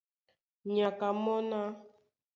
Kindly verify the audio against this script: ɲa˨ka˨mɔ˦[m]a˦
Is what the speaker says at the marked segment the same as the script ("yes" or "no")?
no